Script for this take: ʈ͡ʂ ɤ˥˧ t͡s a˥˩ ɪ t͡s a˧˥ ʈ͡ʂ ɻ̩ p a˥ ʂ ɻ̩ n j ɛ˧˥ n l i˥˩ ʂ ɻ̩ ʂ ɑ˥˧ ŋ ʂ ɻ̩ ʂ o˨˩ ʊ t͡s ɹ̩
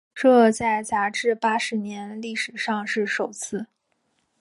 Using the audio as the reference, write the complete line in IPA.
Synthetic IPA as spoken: ʈ͡ʂ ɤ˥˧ t͡s a˥˩ ɪ t͡s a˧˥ ʈ͡ʂ ɻ̩ p a˥ ʂ ɻ̩ n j ɛ˧˥ n l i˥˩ ʂ ɻ̩ ʂ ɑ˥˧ ŋ ʂ ɻ̩ ʂ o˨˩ ʊ t͡sʰ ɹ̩

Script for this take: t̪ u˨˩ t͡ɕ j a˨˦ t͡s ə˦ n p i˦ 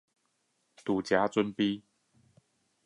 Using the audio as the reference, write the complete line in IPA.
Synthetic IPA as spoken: t̪ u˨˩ t͡ɕ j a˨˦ t͡s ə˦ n p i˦

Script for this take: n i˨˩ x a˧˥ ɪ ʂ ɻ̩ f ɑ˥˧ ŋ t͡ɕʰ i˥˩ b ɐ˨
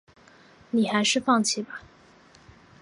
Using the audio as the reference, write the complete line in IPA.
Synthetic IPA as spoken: n i˨˩ x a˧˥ ɪ ʂ ɻ̩ f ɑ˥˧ ŋ t͡ɕʰ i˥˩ b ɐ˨

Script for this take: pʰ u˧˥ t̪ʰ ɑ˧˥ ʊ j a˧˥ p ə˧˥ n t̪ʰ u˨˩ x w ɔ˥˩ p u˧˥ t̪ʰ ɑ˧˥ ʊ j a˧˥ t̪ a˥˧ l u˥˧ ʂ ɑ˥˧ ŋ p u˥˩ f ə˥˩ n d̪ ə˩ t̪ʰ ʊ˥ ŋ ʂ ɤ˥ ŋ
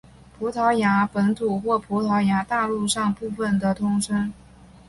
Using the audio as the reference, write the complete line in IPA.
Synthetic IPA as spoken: pʰ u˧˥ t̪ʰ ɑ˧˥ ʊ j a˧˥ p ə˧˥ n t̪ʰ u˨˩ x w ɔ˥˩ pʰ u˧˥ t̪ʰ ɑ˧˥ ʊ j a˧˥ t̪ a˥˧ l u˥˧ ʂ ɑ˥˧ ŋ p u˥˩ f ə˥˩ n d̪ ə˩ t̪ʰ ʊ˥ ŋ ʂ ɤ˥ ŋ

